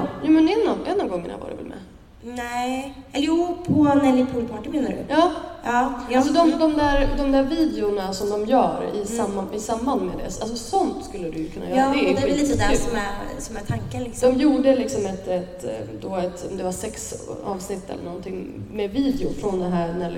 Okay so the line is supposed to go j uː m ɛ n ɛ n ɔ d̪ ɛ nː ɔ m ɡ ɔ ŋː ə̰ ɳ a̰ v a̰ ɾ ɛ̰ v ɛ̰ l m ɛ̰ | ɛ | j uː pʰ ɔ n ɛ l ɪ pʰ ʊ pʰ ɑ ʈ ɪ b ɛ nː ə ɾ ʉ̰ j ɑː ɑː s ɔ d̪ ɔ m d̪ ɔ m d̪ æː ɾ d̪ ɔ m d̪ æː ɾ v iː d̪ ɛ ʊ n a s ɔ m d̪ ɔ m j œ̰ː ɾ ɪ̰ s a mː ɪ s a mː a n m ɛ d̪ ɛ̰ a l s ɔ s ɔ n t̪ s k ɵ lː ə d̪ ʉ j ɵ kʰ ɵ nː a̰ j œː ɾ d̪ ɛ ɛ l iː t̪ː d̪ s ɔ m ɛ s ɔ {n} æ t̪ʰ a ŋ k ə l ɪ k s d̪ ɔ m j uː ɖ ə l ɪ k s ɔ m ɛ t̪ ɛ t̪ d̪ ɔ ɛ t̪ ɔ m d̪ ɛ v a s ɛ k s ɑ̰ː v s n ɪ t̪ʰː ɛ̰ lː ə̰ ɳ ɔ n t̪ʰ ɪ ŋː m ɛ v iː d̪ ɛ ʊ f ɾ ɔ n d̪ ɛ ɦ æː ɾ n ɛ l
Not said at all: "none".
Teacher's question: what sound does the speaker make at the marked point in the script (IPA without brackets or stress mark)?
m